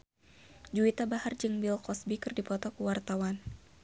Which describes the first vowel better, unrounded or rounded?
rounded